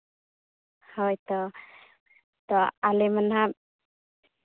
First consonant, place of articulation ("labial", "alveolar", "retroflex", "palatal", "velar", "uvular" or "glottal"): glottal